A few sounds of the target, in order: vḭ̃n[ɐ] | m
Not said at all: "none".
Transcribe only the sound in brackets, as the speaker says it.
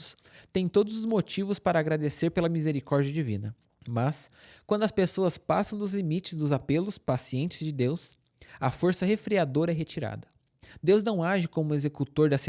ɐ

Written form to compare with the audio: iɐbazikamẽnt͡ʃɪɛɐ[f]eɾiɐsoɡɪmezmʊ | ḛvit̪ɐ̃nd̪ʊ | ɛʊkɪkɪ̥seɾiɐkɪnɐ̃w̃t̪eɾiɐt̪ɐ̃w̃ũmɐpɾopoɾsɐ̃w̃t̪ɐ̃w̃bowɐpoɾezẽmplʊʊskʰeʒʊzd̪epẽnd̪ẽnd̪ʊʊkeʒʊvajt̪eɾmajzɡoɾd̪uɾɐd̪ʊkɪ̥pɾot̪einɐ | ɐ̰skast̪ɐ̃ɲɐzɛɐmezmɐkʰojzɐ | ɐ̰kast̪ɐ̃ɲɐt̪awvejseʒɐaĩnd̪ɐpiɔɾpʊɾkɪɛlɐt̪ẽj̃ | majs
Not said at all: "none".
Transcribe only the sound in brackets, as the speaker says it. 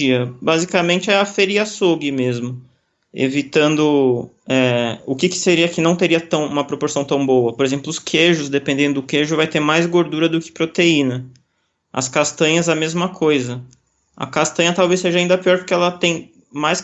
f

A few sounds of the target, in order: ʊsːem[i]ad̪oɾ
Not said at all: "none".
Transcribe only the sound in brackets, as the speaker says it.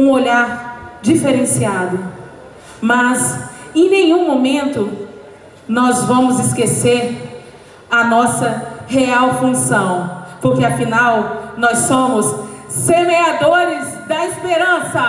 e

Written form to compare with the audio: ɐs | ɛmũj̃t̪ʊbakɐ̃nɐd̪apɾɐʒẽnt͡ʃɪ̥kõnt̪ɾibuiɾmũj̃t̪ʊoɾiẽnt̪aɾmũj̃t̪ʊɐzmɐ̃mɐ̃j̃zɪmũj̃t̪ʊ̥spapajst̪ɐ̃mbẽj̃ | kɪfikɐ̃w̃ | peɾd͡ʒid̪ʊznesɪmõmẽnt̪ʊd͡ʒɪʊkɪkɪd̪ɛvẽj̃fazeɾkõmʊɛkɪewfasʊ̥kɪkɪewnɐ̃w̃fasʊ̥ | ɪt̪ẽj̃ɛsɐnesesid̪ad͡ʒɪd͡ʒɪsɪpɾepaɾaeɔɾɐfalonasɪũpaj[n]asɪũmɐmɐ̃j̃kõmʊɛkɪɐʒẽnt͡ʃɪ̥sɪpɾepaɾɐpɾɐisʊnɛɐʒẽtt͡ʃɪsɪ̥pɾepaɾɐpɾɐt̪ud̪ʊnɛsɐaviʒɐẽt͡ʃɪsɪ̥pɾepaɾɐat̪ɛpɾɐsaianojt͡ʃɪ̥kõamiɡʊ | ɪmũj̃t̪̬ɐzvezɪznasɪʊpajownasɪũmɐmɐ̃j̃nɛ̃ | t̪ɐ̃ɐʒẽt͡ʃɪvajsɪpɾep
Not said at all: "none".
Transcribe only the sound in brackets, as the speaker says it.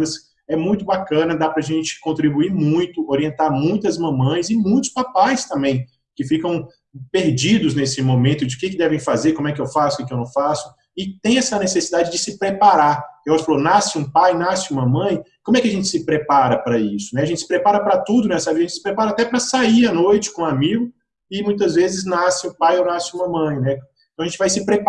n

